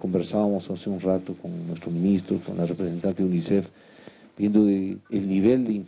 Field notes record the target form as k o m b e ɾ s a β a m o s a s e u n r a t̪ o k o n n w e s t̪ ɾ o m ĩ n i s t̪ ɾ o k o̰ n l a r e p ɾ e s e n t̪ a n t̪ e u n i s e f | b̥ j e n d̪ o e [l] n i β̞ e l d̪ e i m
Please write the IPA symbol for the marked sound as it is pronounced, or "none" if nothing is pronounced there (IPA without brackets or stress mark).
l